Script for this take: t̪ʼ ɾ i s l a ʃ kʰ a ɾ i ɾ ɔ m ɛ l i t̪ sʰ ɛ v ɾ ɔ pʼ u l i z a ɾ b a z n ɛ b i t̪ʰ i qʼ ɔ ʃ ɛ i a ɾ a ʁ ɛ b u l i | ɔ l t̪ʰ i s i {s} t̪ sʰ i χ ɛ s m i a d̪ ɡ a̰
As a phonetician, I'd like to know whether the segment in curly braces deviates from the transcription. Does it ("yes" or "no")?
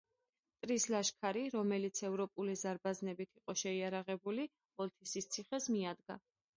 no